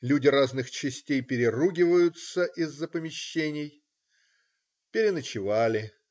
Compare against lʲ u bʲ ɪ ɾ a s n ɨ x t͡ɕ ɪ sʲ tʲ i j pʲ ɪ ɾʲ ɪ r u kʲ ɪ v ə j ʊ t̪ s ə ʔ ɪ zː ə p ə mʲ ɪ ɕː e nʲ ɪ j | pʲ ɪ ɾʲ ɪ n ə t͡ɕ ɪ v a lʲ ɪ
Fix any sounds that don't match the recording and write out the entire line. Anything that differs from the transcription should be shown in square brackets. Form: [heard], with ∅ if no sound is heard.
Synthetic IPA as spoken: lʲ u [dʲ] ɪ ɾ a [z] n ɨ x t͡ɕ ɪ sʲ tʲ [e] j pʲ ɪ ɾʲ ɪ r u [ɡʲ] ɪ v ə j ʊ t̪ s ə ʔ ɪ zː ə p ə mʲ ɪ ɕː e nʲ ɪ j | pʲ ɪ ɾʲ ɪ n ə t͡ɕ ɪ v a lʲ ɪ